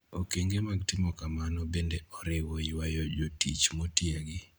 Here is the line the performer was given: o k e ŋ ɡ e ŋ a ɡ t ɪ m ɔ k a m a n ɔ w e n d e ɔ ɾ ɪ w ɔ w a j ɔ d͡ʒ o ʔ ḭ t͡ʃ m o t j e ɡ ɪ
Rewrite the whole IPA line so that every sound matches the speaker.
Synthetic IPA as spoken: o k e ŋ ɡ e m a ɡ t ɪ m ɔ k a m a n ɔ b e n d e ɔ ɾ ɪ w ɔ w a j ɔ d͡ʒ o t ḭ t͡ʃ m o t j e ɡ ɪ